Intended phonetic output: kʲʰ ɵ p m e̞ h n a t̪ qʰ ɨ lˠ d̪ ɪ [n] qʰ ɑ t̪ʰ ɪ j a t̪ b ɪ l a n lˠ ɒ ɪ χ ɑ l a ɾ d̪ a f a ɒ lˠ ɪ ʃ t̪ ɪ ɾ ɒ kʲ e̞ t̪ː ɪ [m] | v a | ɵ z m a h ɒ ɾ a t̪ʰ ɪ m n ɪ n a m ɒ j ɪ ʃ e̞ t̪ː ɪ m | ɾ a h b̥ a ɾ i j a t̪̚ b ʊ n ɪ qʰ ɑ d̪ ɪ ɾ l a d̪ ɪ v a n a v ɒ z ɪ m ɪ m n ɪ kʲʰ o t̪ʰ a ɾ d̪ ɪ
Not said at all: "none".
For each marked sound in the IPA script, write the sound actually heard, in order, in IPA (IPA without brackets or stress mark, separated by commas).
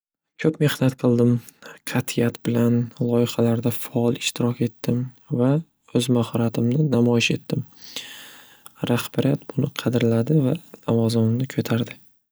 m, m